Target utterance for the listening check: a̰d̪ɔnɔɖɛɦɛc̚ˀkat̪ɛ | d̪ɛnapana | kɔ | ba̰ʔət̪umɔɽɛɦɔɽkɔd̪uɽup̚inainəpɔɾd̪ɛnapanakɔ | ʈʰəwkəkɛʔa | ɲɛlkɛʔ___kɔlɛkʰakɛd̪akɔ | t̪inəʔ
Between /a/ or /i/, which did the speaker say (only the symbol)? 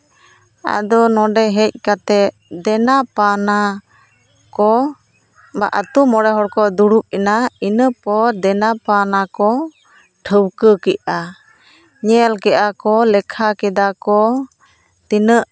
a